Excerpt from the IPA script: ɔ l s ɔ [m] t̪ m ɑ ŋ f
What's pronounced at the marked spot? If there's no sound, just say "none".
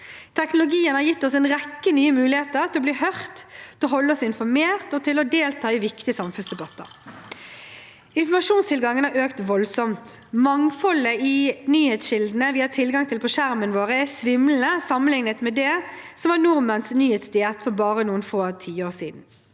m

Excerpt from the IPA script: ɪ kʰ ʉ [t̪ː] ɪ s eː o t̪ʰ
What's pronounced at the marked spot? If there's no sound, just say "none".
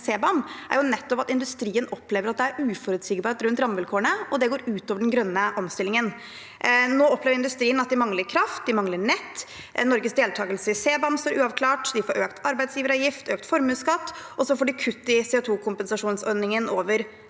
t̪ː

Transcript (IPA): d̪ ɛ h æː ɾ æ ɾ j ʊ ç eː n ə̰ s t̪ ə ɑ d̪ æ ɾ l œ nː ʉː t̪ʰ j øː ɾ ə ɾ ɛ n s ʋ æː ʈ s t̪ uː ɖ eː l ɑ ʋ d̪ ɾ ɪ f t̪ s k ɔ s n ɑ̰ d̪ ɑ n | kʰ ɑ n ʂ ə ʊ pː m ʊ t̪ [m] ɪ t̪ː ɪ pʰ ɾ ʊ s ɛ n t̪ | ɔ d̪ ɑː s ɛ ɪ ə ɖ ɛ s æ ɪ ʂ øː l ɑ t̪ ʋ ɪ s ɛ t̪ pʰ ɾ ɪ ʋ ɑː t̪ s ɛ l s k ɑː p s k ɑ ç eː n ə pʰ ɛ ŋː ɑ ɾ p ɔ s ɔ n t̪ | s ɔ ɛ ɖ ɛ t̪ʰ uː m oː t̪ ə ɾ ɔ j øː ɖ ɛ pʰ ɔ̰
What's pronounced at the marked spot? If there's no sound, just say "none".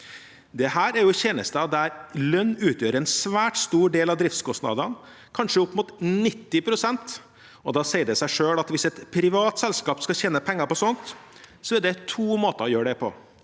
n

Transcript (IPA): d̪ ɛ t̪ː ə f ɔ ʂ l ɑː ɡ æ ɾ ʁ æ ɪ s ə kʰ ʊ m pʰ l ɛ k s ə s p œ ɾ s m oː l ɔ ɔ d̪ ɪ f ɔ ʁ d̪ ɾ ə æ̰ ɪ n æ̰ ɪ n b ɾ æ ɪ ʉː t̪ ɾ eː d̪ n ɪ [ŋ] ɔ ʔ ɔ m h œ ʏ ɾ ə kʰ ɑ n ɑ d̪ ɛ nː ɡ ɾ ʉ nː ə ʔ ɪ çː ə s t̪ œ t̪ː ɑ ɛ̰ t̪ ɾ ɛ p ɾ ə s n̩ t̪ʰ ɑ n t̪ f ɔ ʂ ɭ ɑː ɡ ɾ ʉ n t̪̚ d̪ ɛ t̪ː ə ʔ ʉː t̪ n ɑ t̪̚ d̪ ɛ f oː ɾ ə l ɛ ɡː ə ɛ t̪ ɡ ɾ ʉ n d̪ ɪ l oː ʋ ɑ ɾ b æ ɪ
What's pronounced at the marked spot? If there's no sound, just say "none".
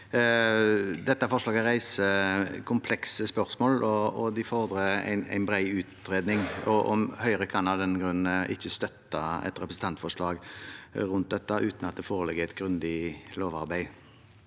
ŋ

